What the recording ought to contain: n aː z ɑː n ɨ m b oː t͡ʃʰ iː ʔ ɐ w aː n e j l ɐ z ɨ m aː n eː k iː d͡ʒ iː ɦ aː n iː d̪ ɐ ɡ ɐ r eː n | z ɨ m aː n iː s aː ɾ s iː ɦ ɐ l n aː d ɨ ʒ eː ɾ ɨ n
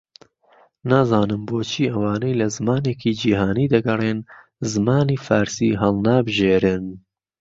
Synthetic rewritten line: n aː z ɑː n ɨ m b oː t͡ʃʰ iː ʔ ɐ w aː n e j l ɐ z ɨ m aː n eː k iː d͡ʒ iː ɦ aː n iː d̪ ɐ ɡ ɐ r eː n | z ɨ m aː n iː f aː ɾ s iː ɦ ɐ l n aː b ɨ ʒ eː ɾ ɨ n

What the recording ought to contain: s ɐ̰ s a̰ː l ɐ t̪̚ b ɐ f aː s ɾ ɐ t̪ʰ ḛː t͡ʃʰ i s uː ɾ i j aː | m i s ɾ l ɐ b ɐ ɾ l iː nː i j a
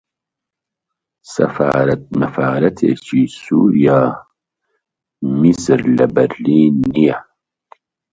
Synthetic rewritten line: s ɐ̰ f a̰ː ɾ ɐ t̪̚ m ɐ f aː ɾ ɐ t̪ʰ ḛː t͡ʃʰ i s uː ɾ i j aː | m i s ɾ l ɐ b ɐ ɾ l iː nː i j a

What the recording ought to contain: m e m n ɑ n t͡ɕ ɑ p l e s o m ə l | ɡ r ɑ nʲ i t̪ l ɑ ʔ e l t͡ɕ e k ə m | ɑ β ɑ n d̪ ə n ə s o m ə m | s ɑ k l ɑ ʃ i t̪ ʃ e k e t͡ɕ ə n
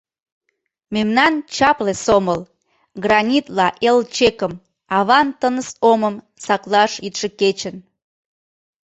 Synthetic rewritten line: m e m n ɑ n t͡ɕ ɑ p l e s o m ə l | ɡ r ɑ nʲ i t̪ l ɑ ʔ e l t͡ɕ e k ə m | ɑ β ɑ n t̪ ə n ə s o m ə m | s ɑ k l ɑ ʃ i t̪ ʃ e k e t͡ɕ ə n

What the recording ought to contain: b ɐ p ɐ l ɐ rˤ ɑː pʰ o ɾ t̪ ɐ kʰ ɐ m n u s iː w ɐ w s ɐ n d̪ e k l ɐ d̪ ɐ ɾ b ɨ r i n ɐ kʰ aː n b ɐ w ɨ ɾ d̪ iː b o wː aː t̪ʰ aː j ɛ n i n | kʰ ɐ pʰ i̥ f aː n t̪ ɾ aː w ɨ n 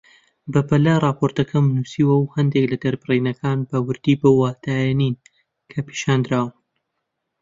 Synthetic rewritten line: b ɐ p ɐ l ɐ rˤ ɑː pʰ o ɾ t̪ ɐ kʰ ɐ m n u s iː w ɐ w h ɐ n d̪ e k l ɐ d̪ ɐ ɾ b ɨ r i n ɐ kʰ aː n b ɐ w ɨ ɾ d̪ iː b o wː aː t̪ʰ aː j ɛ n i n | kʰ ɐ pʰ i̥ ʃ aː n d̪ ɾ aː w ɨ n

